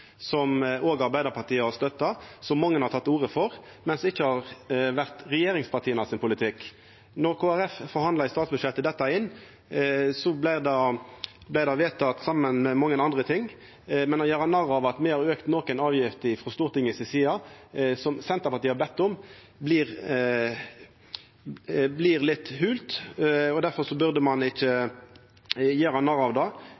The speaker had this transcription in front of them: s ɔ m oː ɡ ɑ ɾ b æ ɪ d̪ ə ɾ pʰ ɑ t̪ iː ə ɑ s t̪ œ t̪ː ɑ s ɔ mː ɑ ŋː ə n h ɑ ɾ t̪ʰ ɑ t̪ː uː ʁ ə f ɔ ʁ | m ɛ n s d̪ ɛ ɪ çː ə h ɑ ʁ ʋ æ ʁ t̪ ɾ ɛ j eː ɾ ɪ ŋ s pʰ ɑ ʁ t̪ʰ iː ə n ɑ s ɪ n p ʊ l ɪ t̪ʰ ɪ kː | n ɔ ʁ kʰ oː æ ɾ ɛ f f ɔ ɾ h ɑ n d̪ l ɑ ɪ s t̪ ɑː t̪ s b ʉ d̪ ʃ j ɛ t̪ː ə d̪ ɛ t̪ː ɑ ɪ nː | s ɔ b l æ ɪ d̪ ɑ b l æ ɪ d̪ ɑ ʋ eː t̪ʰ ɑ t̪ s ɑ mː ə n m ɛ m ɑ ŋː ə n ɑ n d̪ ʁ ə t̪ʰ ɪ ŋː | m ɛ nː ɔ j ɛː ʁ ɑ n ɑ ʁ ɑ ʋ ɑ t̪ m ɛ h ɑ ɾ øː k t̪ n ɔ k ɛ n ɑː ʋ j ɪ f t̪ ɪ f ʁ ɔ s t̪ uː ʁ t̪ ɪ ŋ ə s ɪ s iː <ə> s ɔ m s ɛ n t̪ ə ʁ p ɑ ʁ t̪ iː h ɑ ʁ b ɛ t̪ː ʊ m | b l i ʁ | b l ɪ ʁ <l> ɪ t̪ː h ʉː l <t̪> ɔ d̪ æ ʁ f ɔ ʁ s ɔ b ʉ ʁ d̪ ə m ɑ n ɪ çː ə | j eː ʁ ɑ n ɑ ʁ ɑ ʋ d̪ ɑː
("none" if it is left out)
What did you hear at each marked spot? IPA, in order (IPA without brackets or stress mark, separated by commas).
ɑ, l, t̪